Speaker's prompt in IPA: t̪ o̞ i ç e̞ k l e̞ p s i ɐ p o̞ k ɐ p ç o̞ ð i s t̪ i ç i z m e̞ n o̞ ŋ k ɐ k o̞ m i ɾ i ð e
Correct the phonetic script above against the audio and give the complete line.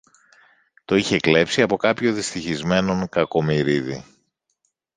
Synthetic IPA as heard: t̪ o̞ i ç e̞ k l e̞ p s i ɐ p o̞ k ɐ p ç o̞ ð i s t̪ i ç i z m e̞ n o̞ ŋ k ɐ k o̞ m i ɾ i ð i